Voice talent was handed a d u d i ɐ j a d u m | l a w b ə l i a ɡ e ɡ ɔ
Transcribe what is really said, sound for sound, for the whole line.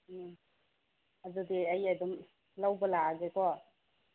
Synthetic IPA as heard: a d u d i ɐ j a d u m | l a w b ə l a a ɡ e k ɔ